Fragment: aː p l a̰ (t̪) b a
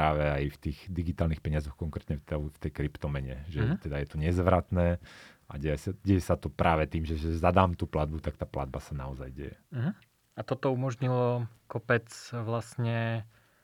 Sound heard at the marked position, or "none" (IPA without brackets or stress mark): d̪